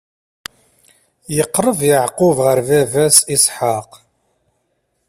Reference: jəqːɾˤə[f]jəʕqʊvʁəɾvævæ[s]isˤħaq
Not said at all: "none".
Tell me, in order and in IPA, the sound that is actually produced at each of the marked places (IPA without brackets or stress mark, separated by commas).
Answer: v, s